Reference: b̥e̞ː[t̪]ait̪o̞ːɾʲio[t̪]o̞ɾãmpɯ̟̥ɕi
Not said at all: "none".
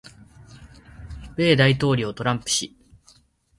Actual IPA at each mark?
d̪, t̪

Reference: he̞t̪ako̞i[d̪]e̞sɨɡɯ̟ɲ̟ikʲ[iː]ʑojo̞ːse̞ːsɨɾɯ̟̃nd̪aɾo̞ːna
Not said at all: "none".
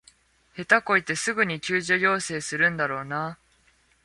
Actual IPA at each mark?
t̪, ɨː

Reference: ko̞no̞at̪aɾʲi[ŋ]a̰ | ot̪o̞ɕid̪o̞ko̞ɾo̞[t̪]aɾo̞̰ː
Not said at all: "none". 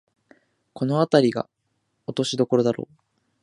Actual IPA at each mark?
ɡ, d̪

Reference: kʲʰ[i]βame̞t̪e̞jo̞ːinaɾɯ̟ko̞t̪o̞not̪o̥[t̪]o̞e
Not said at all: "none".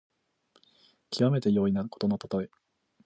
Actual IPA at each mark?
i, t̪

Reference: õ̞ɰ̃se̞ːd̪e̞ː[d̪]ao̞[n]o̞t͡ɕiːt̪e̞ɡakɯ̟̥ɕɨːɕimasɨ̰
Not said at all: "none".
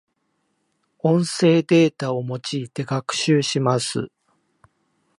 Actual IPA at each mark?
t̪, m

